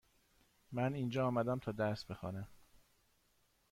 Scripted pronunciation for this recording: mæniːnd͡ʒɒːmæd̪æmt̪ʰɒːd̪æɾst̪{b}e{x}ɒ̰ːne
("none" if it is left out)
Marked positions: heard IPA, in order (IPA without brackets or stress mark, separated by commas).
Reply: b, x